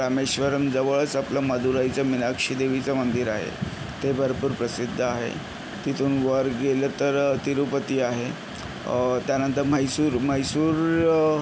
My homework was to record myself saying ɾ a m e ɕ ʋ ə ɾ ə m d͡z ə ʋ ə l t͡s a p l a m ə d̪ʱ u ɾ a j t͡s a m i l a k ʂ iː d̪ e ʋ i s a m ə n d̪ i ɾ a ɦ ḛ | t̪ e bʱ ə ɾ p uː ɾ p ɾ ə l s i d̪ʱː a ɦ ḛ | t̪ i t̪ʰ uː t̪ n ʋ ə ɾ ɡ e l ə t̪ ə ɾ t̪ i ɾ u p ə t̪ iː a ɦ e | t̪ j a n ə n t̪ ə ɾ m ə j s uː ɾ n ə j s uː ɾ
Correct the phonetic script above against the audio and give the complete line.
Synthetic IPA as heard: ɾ a m e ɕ ʋ ə ɾ ə m d͡z ə ʋ ə ɭ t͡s a p l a m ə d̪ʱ u ɾ a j t͡s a m i l a k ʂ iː d̪ e ʋ i t͡s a m ə n d̪ i ɾ a ɦ ḛ | t̪ e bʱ ə ɾ p uː ɾ p ɾ ə s i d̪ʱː a ɦ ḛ | t̪ i t̪ʰ uː n ʋ ə ɾ ɡ e l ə t̪ ə ɾ t̪ i ɾ u p ə t̪ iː a ɦ e | t̪ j a n ə n t̪ ə ɾ m ə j s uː ɾ m ə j s uː ɾ